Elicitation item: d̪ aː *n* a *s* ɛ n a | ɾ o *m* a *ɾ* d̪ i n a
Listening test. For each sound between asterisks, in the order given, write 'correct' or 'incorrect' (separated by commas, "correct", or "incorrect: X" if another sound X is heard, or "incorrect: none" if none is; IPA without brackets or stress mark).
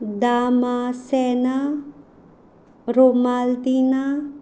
incorrect: m, correct, correct, incorrect: l